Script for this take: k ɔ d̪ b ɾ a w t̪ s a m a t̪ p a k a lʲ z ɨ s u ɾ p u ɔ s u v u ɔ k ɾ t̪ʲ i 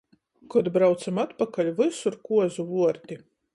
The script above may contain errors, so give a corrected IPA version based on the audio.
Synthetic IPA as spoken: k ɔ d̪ b ɾ a w t̪ s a m a t̪ p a k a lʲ v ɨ s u ɾ k u ɔ z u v u ɔ ɾ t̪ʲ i